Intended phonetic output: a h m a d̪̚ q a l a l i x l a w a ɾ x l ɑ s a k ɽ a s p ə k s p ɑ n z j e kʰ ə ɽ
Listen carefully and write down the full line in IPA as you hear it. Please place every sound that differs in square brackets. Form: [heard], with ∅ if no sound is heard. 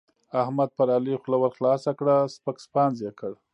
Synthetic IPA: a h m a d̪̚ [p] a [ɾ] a l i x l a w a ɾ x l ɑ s a k ɽ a s p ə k s p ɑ n z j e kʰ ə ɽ